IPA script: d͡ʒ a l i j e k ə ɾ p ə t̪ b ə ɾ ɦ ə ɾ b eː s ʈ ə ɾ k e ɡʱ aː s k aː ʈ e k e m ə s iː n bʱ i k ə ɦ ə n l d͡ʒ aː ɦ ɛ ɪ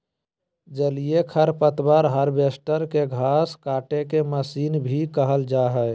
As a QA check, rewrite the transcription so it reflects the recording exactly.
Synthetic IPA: d͡ʒ ə l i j e kʰ ə ɾ p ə t̪ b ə ɾ ɦ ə ɾ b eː s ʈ ə ɾ k e ɡʱ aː s k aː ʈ e k e m ə s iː n bʱ i k ə ɦ ə l d͡ʒ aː ɦ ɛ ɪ